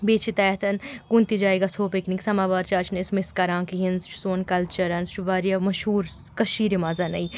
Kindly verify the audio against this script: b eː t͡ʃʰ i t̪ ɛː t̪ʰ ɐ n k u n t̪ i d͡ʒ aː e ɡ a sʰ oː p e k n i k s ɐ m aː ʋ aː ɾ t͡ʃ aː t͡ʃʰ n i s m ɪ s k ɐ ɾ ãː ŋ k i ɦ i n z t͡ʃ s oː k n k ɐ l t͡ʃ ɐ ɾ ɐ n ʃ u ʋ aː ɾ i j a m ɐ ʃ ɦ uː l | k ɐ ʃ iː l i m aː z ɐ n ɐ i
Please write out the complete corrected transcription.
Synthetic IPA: b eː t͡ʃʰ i t̪ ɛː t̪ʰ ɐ n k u n t̪ i d͡ʒ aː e ɡ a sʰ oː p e k n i k s ɐ m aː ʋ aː ɾ t͡ʃ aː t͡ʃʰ n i s m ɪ s k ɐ ɾ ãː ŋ k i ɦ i n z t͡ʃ s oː n k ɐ l t͡ʃ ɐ ɾ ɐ n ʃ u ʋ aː ɾ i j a m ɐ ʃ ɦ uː ɾ | k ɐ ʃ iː ɾ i m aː z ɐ n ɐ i